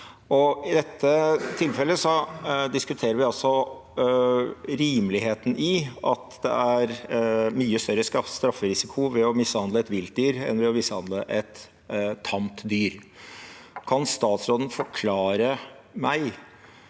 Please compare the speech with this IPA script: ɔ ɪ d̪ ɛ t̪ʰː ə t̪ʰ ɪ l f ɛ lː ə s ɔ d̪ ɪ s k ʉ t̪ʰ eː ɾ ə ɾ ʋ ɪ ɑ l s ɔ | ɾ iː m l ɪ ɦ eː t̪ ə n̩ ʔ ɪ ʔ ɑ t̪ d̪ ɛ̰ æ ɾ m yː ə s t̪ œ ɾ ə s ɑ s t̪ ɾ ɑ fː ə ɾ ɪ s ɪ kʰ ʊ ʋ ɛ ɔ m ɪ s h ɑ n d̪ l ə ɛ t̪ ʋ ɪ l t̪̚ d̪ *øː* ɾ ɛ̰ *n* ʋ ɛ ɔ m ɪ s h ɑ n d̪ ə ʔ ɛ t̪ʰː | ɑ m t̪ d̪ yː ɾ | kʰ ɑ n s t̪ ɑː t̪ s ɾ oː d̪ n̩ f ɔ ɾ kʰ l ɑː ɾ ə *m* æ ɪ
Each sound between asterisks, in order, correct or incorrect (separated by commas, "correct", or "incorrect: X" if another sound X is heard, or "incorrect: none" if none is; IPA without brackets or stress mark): incorrect: yː, correct, correct